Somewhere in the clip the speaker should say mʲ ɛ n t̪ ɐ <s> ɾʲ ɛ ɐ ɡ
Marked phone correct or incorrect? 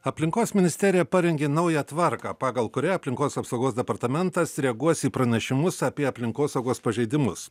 correct